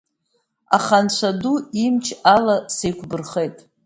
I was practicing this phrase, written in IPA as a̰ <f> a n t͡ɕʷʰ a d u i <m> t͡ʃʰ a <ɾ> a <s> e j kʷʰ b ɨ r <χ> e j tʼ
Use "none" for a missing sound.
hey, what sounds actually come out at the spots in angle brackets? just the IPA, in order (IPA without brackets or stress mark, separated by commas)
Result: χ, m, l, s, χ